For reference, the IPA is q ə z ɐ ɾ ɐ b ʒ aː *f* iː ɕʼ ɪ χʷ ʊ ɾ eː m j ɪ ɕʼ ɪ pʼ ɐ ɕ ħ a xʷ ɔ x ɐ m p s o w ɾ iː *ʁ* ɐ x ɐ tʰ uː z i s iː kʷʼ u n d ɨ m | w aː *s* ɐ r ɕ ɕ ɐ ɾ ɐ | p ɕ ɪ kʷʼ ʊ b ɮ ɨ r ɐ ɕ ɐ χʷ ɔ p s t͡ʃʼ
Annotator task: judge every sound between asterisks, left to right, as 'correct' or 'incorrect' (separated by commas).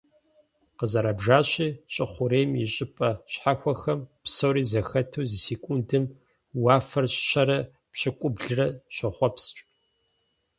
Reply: incorrect, incorrect, incorrect